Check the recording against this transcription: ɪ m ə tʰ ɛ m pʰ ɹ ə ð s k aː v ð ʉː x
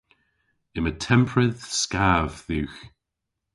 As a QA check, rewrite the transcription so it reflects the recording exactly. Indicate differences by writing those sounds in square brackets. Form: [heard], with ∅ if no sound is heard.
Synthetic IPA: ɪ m ə tʰ ɛ m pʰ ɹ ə ð s k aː v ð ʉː x